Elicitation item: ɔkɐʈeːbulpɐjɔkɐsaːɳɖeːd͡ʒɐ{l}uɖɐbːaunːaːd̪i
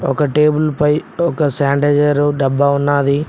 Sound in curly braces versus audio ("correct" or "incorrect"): incorrect